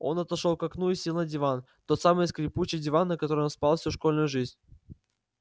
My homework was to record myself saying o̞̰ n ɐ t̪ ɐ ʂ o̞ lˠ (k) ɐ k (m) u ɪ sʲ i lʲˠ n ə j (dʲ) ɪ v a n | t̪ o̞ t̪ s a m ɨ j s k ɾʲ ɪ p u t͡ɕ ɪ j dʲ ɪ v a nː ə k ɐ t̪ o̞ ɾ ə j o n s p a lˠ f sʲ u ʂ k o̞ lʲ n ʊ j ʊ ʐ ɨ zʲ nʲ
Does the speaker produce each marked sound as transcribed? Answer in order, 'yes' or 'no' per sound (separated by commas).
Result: yes, no, yes